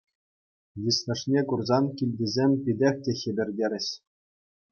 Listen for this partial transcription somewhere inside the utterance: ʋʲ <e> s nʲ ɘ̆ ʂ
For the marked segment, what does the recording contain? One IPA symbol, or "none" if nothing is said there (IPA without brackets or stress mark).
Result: i